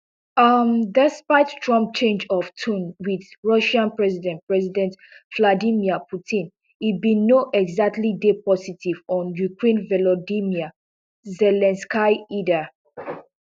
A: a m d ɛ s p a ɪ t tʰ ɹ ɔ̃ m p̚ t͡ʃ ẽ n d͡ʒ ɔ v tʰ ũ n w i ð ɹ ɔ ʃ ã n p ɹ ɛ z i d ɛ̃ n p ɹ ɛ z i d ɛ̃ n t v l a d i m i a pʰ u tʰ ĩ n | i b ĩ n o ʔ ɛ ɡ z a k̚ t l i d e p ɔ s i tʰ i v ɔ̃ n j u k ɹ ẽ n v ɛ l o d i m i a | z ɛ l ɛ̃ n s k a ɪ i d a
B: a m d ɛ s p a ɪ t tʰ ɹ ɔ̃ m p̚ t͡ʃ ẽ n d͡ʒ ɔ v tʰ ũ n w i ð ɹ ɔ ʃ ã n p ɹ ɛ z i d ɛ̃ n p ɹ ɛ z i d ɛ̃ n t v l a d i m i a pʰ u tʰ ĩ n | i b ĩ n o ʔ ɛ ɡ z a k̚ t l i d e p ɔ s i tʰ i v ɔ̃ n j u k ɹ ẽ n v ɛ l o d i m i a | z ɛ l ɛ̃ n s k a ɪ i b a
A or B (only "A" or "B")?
A